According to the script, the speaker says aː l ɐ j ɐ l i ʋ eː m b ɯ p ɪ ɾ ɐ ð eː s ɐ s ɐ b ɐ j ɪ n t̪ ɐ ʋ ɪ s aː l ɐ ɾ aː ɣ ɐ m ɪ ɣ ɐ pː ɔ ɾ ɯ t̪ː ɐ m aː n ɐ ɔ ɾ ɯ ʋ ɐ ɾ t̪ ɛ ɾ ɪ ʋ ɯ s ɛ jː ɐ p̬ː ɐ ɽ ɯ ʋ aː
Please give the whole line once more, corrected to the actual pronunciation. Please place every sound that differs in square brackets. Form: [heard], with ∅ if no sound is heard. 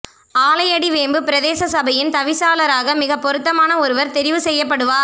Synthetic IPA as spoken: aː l ɐ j ɐ [ɽ] i ʋ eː m b ɯ p ɪ ɾ ɐ ð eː s ɐ s ɐ b ɐ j ɪ n t̪ ɐ ʋ ɪ s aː l ɐ ɾ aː ɣ ɐ m ɪ ɣ ɐ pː ɔ ɾ ɯ t̪ː ɐ m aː n ɐ ɔ ɾ ɯ ʋ ɐ ɾ t̪ ɛ ɾ ɪ ʋ ɯ s ɛ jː ɐ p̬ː ɐ ɽ ɯ ʋ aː